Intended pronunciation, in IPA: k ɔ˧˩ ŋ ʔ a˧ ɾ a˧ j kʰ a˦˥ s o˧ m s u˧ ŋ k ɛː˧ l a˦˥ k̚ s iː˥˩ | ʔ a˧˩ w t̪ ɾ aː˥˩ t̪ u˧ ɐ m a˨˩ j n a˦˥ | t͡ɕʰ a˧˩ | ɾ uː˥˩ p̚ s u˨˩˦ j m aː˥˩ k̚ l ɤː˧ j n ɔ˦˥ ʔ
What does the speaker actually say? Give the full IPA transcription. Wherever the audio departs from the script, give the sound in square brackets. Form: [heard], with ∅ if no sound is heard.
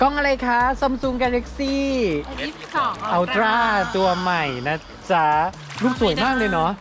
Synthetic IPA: k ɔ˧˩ ŋ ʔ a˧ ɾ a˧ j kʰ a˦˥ s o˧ m s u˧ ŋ k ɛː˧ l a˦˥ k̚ s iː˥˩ | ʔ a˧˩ w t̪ ɾ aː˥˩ t̪ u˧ ɐ m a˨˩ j n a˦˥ | [t͡ɕ] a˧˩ | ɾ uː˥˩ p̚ s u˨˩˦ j m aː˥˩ k̚ l ɤː˧ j n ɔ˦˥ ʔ